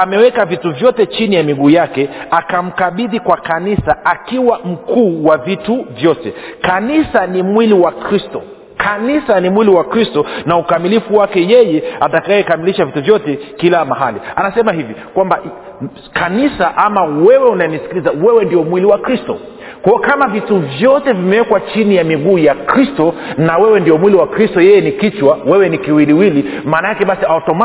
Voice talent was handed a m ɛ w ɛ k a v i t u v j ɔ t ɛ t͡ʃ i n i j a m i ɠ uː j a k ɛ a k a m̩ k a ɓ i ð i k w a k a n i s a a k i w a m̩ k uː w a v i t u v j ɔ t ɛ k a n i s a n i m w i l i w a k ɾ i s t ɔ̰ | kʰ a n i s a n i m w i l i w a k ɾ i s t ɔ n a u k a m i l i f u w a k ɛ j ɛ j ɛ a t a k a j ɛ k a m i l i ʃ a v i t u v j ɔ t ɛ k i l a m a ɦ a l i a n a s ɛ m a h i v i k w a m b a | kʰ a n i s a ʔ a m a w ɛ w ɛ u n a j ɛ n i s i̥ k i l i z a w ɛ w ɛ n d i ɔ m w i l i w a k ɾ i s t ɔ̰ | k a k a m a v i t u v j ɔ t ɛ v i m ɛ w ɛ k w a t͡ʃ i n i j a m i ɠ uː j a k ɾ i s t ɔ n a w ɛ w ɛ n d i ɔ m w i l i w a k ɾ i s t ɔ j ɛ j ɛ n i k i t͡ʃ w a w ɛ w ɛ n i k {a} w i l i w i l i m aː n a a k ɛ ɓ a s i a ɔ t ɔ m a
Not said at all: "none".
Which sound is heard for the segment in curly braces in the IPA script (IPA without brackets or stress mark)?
i